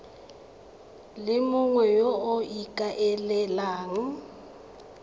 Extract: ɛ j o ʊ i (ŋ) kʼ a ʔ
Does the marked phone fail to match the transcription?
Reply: yes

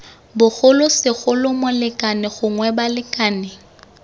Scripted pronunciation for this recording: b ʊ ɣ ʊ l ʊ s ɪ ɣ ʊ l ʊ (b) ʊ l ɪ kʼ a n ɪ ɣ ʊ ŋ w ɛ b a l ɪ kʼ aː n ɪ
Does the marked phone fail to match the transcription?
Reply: yes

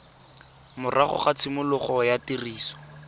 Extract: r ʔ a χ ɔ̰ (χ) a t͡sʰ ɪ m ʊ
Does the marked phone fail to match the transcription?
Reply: no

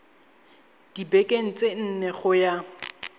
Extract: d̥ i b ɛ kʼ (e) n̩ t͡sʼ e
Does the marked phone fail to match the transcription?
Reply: no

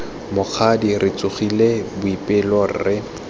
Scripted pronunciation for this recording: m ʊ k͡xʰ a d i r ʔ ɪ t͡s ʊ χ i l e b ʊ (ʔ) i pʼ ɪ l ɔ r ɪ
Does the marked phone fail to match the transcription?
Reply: yes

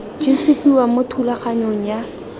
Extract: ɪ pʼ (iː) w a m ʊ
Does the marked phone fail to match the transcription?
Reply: yes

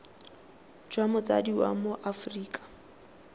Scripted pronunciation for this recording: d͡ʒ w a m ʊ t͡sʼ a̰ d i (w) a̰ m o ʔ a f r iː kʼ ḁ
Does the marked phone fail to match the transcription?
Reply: no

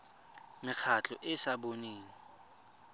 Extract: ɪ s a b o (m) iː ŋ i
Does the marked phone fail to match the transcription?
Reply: yes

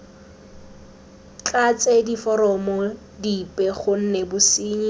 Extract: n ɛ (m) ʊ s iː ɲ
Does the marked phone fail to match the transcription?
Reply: yes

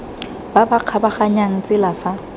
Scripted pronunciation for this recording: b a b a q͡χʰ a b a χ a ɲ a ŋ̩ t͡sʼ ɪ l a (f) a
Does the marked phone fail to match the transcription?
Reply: no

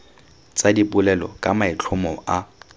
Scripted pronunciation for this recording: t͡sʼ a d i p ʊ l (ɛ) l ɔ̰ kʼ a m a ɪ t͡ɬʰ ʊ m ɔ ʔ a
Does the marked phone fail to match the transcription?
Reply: no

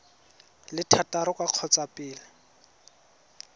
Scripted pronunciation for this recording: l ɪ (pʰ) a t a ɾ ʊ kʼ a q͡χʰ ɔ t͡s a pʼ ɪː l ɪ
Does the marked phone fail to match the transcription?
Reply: yes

